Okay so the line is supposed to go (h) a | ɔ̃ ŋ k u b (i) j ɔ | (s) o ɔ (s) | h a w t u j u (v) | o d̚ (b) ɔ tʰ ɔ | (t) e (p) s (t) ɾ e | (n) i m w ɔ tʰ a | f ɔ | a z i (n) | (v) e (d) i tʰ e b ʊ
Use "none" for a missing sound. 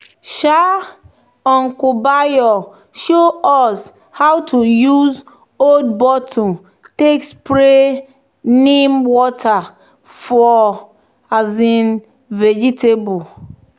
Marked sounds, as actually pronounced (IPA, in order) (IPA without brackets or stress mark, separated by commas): ʃ, a, ʃ, s, z, b, t, k, p, n, n, v, d͡ʒ